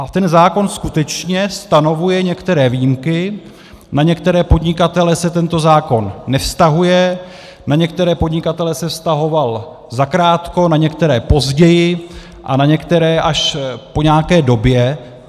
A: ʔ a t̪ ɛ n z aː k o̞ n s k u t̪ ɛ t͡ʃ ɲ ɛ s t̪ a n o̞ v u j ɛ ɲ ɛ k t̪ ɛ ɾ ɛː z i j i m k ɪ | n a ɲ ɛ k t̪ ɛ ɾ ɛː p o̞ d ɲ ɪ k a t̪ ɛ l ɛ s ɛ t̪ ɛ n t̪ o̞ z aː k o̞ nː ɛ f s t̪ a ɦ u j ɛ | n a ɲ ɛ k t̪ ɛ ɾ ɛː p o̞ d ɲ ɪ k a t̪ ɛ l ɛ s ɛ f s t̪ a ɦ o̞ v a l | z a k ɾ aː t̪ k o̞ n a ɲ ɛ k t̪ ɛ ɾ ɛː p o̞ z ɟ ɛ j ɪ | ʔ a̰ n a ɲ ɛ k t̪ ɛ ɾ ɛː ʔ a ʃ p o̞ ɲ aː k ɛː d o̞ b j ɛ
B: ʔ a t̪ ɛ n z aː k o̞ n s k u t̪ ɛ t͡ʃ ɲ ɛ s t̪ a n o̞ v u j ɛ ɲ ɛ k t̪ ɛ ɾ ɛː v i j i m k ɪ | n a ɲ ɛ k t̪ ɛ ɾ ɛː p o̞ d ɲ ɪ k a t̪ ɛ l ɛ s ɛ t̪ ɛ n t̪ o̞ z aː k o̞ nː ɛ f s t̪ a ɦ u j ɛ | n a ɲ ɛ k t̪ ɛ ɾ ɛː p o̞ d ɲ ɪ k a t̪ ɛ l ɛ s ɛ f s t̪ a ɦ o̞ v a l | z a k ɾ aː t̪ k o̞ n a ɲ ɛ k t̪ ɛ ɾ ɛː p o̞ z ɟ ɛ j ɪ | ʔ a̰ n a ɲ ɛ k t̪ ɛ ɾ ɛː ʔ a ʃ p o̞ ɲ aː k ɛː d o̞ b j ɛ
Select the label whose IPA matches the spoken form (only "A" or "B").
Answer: B